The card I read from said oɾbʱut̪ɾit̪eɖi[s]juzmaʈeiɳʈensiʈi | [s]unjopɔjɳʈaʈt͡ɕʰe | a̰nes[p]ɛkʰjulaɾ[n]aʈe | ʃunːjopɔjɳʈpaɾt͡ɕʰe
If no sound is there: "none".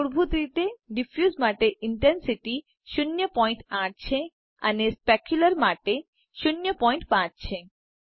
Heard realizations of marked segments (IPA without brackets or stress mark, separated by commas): f, ʃ, p, m